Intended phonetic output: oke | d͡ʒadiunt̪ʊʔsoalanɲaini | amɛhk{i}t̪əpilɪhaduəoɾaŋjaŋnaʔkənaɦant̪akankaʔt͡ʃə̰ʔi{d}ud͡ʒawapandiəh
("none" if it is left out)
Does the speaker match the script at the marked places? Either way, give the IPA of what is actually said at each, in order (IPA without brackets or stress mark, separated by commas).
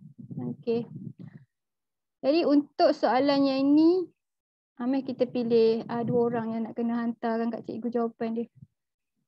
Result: i, ɡ